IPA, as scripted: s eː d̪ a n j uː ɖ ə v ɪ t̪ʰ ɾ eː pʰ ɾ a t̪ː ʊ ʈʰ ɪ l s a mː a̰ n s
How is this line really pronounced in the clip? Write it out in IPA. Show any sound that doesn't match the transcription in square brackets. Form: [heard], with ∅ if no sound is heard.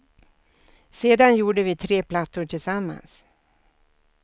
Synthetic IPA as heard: s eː d̪ a n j uː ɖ ə v ɪ t̪ʰ ɾ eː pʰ [l] a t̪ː ʊ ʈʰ ɪ l s a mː a̰ n s